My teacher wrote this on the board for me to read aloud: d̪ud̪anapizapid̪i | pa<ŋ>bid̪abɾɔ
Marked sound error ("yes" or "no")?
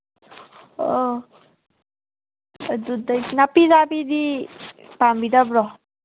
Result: yes